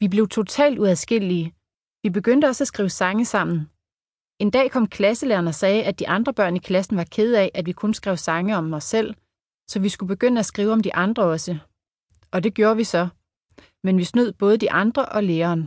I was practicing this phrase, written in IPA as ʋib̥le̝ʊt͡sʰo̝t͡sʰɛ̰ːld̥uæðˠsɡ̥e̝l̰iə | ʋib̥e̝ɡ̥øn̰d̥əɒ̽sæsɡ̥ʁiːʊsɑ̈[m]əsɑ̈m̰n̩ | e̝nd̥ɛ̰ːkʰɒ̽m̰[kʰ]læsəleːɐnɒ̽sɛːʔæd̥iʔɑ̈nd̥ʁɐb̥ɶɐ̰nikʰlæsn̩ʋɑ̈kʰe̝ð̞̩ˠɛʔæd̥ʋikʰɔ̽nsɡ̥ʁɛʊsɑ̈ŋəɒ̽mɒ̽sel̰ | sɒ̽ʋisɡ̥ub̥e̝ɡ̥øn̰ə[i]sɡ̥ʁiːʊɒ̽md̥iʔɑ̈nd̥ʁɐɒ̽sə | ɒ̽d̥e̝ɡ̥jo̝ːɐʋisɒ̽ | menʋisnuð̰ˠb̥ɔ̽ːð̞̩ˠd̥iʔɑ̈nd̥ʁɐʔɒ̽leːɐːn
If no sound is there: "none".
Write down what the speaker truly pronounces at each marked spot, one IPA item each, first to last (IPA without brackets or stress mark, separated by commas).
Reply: ŋ, kʰ, æ